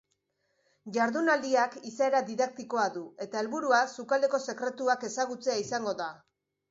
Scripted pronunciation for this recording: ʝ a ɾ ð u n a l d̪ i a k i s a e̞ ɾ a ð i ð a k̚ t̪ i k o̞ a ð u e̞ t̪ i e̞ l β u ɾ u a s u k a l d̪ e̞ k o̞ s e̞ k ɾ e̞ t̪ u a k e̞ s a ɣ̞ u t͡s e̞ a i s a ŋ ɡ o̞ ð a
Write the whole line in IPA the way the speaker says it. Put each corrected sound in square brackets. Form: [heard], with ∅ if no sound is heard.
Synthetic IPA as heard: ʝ a ɾ ð u n a l d̪ i a k i s a e̞ ɾ a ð i ð a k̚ t̪ i k o̞ a ð u e̞ t̪ [a] e̞ l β u ɾ u a s u k a l d̪ e̞ k o̞ s e̞ k ɾ e̞ t̪ u a k e̞ s a ɣ̞ u t͡s e̞ a i s a ŋ ɡ o̞ ð a

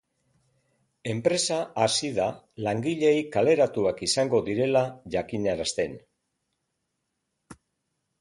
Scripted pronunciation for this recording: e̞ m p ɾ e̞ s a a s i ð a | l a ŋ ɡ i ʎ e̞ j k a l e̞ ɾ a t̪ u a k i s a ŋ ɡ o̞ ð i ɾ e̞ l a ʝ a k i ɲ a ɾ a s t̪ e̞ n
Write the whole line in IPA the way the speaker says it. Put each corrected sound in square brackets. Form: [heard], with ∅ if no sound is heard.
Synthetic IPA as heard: e̞ m p ɾ e̞ s a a s i ð a | l a ŋ ɡ i ʎ e̞ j k a l e̞ ɾ a t̪ u a k i s a ŋ ɡ o̞ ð i ɾ e̞ l a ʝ a k i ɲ a ɾ a s t̪ e̞ n

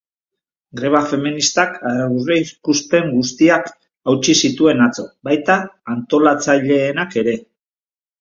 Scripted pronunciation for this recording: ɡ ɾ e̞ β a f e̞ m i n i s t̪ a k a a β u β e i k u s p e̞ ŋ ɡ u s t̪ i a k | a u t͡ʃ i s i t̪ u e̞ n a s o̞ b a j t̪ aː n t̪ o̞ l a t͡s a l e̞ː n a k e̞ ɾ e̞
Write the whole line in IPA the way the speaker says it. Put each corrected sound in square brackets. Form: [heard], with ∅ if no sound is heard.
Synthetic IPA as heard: ɡ ɾ e̞ β a f e̞ m i n i s t̪ a k a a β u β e i k u s p e̞ ŋ ɡ u s t̪ i a k | a [w] t͡ʃ i s i t̪ u e̞ n a [t͡s] o̞ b a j t̪ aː n t̪ o̞ l a t͡s a [ʎ] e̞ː n a k e̞ ɾ e̞

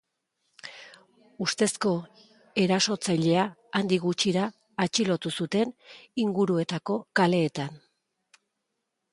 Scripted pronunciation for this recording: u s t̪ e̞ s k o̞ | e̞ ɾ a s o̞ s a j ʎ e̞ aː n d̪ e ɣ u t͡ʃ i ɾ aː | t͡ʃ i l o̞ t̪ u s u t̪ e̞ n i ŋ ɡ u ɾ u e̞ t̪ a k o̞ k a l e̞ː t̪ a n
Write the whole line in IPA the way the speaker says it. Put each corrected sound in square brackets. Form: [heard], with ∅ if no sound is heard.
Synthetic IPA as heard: u s t̪ e̞ s k o̞ | e̞ ɾ a s o̞ [t͡s] a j ʎ e̞ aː n d̪ [i] ɣ u t͡ʃ i ɾ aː | t͡ʃ i l o̞ t̪ u s u t̪ e̞ n i ŋ ɡ u ɾ u e̞ t̪ a k o̞ k a l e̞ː t̪ a n

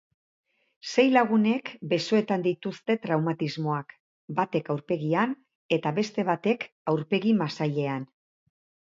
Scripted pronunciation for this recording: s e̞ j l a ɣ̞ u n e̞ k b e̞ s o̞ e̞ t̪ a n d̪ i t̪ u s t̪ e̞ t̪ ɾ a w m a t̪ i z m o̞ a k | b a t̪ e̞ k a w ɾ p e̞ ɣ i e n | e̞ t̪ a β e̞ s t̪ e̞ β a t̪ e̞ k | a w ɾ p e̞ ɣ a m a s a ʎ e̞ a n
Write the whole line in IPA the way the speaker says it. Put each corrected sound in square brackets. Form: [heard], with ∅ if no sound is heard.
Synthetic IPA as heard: s e̞ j l a ɣ̞ u n e̞ k b e̞ s o̞ e̞ t̪ a n d̪ i t̪ u s t̪ e̞ t̪ ɾ a w m a t̪ i z m o̞ a k | b a t̪ e̞ k a w ɾ p e̞ ɣ i [a] n | e̞ t̪ a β e̞ s t̪ e̞ β a t̪ e̞ k | a w ɾ p e̞ ɣ [i] m a s a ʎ e̞ a n

